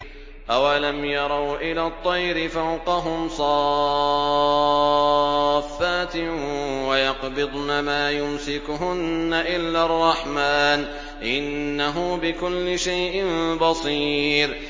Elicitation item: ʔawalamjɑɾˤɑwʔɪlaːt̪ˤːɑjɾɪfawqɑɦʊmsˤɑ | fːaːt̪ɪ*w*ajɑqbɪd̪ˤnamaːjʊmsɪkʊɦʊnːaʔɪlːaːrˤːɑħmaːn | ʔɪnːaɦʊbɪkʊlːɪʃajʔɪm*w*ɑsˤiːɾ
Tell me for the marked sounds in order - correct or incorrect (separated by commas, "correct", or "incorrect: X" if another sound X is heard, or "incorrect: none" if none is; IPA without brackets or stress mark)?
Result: correct, incorrect: b